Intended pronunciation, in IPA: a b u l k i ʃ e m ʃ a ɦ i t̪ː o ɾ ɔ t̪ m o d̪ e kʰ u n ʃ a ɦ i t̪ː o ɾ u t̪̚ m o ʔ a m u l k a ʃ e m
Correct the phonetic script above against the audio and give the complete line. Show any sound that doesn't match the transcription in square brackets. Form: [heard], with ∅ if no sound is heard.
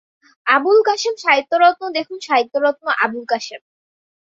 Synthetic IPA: a b u l k [a] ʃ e m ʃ a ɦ i t̪ː o ɾ ɔ t̪ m o d̪ e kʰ u n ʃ a ɦ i t̪ː o ɾ [ɔ] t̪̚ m o ʔ a [b] u l k a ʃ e m